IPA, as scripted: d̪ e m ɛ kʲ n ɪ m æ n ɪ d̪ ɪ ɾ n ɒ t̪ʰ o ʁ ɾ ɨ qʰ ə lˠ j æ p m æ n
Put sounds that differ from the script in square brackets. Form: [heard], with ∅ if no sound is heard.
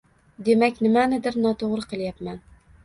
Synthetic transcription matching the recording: d̪ e m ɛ kʲ n ɪ m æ n ɪ d̪ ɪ ɾ n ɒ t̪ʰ o ʁ ɾ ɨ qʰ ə lˠ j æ p m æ n